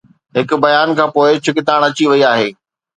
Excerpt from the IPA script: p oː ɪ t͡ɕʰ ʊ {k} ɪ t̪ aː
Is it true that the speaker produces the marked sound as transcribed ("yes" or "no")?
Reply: yes